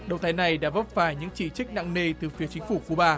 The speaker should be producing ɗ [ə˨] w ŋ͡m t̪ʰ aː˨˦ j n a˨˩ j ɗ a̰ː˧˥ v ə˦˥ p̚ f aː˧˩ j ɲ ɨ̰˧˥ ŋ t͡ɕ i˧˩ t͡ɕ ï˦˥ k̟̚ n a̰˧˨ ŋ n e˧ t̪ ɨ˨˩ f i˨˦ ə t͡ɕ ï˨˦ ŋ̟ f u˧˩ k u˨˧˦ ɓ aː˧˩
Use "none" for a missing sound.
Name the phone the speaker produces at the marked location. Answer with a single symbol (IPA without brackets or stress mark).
ə˨